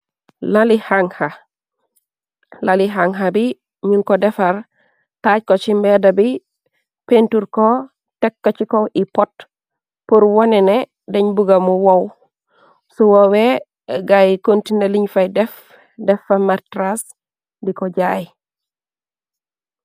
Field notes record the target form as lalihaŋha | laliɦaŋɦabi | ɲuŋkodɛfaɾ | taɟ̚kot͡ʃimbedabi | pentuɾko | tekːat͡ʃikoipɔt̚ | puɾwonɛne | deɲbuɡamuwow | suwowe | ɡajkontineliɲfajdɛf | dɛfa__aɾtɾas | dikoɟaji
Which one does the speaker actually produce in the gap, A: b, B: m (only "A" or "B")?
B